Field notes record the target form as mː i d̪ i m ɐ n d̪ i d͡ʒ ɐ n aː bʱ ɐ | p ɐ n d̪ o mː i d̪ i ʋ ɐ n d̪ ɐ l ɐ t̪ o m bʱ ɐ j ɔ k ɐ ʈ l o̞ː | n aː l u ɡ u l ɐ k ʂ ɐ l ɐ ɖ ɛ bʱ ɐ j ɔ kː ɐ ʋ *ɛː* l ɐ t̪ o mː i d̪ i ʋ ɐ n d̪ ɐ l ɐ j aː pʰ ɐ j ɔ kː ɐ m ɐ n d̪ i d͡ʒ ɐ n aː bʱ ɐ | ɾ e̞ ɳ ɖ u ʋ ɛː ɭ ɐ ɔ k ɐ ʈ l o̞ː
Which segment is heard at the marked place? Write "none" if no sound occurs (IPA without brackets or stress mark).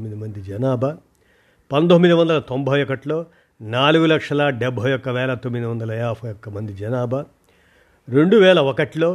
ɛː